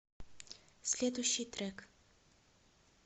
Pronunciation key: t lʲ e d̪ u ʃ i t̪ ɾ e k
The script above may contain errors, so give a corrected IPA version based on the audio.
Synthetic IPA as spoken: s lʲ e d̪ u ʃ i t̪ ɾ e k